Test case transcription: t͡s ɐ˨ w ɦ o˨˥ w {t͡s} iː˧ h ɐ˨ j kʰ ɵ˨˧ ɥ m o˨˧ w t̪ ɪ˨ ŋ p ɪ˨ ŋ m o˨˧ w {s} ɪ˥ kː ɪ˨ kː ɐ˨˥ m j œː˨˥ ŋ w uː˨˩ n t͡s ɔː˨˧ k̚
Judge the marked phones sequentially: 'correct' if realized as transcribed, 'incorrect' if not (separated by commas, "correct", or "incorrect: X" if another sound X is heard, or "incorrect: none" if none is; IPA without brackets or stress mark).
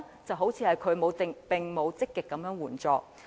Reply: incorrect: t͡sʰ, incorrect: t͡s